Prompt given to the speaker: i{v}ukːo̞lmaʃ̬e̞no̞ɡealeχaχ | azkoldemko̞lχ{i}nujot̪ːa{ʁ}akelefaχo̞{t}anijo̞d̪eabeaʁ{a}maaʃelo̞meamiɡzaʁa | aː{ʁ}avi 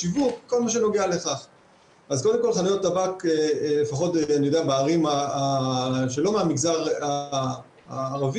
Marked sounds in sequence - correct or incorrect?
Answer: correct, incorrect, incorrect, correct, incorrect, correct

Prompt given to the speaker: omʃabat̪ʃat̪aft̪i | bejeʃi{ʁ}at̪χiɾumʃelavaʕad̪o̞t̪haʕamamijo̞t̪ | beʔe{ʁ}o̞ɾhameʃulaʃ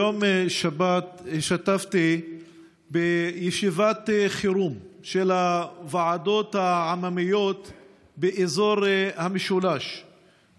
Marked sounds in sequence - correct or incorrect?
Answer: incorrect, incorrect

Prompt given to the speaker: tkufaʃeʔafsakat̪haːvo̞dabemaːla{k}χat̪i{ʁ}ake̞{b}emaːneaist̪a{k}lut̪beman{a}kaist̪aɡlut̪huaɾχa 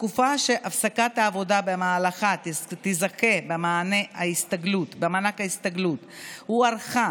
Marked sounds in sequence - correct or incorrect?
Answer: incorrect, incorrect, correct, incorrect, correct

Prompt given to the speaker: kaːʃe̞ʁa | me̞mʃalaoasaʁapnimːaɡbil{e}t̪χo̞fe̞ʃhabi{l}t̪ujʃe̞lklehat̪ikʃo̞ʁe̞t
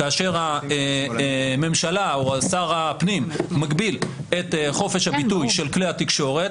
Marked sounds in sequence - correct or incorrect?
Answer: correct, incorrect

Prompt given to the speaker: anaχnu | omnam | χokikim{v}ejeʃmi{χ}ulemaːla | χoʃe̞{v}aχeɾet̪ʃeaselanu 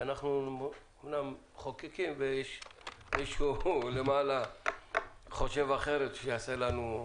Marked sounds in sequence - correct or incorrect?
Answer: correct, incorrect, correct

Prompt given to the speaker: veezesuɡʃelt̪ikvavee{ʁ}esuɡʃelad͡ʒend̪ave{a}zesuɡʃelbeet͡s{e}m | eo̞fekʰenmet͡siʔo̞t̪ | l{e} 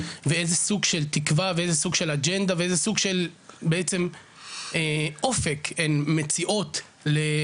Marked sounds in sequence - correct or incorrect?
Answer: incorrect, incorrect, correct, correct

